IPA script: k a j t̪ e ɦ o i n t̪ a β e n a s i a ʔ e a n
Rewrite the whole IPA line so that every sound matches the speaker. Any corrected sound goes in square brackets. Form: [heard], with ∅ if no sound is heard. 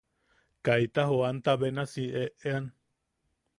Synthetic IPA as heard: k a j t̪ [a] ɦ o [a] n t̪ a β e n a s i [e] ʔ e a n